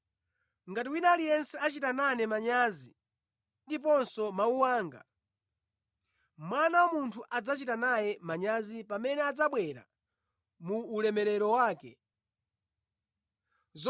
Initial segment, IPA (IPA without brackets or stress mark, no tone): ŋ